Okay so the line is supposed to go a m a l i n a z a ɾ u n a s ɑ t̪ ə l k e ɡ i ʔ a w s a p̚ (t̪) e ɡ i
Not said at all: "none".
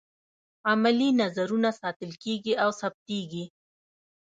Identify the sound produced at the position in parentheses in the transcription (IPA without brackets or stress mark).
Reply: t̪